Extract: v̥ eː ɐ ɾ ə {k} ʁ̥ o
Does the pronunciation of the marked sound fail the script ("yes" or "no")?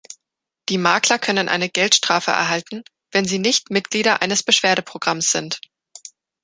yes